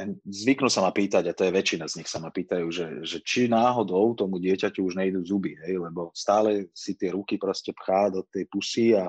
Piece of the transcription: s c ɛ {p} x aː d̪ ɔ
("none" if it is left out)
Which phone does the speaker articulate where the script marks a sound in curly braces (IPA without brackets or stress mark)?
p